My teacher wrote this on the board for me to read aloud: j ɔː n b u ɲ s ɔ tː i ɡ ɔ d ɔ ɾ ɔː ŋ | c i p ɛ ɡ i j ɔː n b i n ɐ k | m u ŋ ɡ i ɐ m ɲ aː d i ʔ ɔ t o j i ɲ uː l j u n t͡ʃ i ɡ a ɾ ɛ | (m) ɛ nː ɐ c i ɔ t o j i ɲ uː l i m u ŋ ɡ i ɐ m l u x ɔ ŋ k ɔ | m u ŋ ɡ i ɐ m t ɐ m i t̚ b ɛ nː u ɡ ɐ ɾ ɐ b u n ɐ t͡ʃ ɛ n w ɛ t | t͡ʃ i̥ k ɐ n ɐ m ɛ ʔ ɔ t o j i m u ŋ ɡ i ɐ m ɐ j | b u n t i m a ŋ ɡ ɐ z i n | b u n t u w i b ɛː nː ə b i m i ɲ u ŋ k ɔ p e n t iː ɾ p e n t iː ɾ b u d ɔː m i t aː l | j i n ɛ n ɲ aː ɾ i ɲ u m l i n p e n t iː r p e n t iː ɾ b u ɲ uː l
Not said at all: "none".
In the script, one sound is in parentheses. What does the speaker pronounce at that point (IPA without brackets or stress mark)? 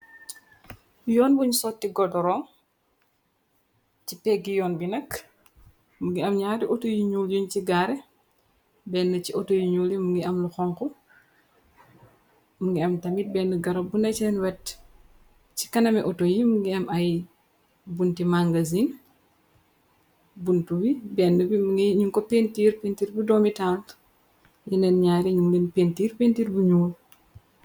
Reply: b